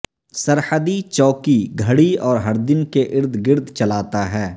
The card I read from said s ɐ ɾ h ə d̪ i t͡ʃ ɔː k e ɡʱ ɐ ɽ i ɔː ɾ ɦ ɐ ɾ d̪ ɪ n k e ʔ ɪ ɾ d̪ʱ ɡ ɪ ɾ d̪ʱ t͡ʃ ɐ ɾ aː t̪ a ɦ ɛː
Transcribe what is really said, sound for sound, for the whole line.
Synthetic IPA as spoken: s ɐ ɾ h ə d̪ i t͡ʃ ɔː k i ɡʱ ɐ ɽ i ɔː ɾ ɦ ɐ ɾ d̪ ɪ n k e ʔ ɪ ɾ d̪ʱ ɡ ɪ ɾ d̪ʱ t͡ʃ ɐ l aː t̪ a ɦ ɛː